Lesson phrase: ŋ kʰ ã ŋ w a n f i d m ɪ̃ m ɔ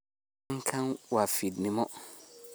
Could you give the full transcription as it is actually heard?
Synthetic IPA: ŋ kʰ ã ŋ w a f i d n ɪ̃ m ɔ